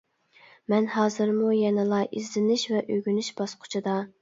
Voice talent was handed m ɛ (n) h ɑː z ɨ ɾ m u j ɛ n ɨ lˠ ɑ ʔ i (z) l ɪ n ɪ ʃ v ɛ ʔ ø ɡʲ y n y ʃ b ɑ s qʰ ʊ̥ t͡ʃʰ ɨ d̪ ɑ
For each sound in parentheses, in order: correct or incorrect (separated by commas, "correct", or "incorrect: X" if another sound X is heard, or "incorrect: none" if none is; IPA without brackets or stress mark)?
correct, correct